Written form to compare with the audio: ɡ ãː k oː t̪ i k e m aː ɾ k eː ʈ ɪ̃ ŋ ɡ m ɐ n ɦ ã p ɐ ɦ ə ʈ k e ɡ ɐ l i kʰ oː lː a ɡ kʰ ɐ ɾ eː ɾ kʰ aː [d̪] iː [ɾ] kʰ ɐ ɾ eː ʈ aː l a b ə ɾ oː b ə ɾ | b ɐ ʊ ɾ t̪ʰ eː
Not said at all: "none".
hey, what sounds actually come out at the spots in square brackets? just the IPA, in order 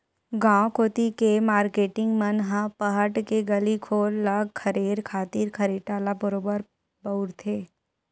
t̪, ɾ

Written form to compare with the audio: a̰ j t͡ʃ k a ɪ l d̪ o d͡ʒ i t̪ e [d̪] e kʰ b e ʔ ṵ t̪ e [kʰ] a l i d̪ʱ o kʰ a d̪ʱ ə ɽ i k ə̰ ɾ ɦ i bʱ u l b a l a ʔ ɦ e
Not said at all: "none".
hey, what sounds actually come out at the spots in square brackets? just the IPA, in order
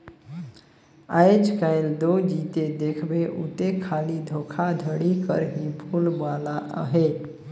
d̪, kʰ

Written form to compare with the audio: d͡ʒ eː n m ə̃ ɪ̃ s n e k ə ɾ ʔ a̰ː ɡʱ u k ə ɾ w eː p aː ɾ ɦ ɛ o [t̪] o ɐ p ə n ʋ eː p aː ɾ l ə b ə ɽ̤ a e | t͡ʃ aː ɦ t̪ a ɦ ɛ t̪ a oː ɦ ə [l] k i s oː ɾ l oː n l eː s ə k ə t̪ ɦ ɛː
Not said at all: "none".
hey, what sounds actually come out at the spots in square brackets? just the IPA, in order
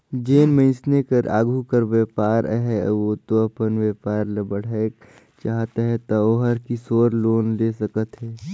t̪, ɾ

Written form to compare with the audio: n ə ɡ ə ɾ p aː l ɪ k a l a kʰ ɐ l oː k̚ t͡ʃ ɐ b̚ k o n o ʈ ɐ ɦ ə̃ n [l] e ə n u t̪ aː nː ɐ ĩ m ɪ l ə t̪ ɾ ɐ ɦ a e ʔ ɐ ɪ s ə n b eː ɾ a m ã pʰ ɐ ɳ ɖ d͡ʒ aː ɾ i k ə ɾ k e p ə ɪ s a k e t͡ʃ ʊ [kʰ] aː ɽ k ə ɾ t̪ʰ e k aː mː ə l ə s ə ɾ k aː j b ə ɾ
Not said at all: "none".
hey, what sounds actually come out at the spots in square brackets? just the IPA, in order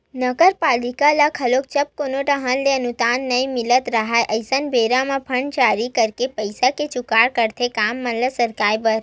l, k

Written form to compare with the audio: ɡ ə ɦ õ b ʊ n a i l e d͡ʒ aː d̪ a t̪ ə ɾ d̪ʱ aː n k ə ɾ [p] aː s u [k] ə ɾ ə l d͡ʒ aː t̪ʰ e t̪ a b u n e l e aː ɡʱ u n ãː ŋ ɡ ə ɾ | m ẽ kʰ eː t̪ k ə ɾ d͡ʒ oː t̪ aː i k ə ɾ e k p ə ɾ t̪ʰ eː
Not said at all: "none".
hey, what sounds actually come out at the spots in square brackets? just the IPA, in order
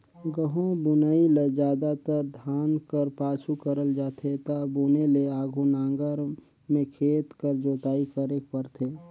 p, k

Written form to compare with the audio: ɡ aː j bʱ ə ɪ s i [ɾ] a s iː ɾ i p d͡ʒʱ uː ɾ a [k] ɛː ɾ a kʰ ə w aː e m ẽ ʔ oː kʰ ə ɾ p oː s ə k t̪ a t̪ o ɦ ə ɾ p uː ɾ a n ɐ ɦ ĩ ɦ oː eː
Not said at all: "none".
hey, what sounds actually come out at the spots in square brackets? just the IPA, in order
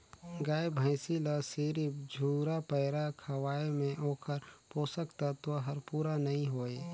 l, p

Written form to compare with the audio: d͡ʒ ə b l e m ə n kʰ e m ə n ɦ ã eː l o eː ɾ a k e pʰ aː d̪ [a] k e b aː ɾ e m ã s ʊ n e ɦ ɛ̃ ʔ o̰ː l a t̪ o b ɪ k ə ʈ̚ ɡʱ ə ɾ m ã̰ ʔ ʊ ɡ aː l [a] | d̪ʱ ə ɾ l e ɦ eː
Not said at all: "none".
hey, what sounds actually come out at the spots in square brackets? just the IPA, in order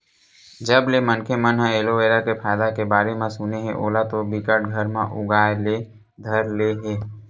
a, e

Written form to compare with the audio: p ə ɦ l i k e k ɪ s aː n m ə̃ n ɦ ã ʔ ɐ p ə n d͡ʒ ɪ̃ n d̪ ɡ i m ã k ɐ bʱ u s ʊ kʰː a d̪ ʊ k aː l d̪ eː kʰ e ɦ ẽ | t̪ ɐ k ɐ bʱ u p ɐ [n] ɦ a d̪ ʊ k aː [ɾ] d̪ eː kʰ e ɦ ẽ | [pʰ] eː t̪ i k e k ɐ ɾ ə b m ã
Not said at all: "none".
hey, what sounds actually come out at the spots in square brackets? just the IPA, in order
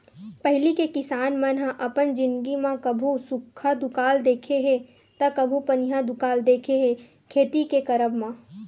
n, l, kʰ

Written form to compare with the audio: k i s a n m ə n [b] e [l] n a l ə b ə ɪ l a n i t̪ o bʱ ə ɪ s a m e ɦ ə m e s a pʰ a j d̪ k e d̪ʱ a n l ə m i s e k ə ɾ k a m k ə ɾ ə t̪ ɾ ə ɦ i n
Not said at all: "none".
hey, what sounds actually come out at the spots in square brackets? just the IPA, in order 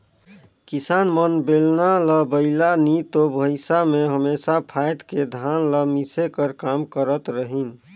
b, l

